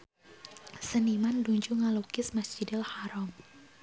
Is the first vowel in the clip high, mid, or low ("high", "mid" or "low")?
mid